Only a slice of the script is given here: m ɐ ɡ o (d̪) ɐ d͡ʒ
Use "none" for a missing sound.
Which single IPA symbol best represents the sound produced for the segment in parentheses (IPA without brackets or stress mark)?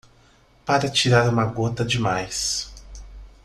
t̪